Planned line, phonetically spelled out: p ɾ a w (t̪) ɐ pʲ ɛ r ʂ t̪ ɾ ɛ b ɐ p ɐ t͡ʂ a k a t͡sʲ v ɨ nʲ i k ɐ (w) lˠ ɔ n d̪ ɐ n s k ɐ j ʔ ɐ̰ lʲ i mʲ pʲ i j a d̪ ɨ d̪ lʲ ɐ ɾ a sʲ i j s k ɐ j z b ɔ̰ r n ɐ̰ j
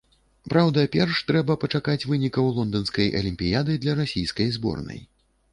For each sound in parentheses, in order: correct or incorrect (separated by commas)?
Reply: incorrect, correct